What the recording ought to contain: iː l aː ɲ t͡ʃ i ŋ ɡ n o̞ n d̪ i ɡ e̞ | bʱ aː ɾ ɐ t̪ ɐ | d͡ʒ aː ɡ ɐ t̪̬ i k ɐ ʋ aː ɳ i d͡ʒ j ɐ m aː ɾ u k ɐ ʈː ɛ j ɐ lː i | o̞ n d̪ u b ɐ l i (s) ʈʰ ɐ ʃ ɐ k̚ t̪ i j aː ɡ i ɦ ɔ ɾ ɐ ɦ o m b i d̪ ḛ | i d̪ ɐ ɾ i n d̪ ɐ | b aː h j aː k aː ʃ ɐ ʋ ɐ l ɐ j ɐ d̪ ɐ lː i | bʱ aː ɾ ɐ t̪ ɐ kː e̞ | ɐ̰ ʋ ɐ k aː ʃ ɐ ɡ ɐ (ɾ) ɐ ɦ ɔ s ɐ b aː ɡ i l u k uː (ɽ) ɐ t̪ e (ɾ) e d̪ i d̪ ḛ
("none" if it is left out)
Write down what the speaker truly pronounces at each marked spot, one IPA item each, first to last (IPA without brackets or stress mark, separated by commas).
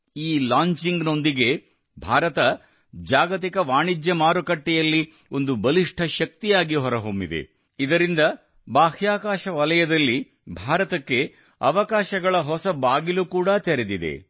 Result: ʂ, ɭ, ɽ, ɾ